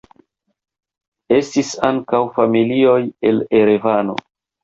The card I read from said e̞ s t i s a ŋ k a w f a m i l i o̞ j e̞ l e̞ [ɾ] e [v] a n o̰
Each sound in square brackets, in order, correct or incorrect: correct, correct

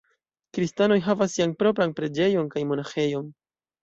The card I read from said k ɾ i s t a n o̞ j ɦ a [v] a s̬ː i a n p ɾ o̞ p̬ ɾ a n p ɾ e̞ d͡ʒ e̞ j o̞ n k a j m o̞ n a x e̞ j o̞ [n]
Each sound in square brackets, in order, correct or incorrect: correct, correct

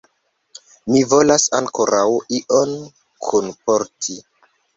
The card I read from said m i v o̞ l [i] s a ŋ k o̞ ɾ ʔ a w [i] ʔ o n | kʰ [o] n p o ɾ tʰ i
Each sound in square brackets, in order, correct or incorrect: incorrect: a, correct, incorrect: u

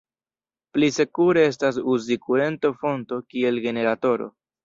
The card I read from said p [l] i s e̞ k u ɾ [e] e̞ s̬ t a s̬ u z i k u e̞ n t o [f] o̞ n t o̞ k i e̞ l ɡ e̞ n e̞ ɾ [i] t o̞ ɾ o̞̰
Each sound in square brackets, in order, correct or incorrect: correct, correct, correct, incorrect: a

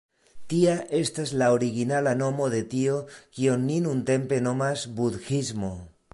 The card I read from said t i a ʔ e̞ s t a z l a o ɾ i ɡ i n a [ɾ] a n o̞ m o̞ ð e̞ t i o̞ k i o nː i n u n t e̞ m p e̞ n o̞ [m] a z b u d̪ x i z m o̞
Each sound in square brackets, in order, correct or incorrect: incorrect: l, correct

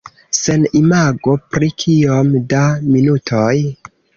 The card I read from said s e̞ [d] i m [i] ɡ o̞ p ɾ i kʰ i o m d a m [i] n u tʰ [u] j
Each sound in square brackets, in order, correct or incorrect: incorrect: n, incorrect: a, correct, incorrect: o

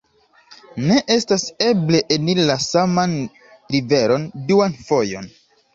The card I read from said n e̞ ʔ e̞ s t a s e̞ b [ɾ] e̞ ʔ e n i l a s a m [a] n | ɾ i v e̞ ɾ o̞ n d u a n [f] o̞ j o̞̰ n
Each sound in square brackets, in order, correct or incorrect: incorrect: l, correct, correct

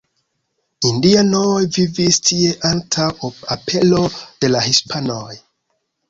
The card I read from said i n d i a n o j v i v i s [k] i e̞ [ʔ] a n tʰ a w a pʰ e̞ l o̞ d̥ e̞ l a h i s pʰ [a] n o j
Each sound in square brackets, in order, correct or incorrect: incorrect: t, correct, correct

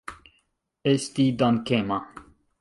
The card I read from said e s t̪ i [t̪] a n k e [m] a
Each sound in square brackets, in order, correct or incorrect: incorrect: d̪, correct

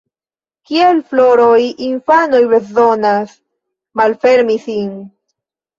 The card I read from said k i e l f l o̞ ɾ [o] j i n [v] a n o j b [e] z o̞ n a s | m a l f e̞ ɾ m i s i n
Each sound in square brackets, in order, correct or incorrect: correct, incorrect: f, correct

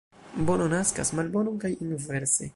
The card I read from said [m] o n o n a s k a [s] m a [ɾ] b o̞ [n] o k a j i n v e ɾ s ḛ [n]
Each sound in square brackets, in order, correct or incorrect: incorrect: b, correct, incorrect: l, correct, incorrect: none

